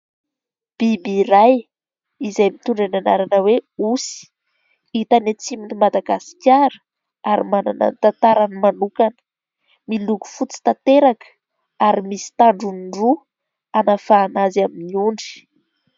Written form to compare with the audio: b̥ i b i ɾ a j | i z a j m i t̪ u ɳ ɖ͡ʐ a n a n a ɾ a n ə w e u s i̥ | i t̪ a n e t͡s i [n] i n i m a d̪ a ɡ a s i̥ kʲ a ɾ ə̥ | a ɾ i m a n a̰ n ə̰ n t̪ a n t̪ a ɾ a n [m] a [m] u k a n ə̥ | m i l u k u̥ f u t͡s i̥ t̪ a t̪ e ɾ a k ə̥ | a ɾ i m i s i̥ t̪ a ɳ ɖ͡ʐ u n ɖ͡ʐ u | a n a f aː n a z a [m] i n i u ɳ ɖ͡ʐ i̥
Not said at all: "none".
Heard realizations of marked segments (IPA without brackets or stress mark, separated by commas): m, m, n, m